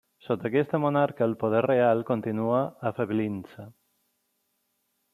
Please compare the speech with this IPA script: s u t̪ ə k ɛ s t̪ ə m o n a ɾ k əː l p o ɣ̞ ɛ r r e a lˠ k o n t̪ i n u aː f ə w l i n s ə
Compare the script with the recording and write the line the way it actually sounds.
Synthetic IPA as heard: s o t̪ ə k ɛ s t̪ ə m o n a ɾ k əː l p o ð̞ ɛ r r e a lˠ k o n t̪ i n u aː f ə β l i n s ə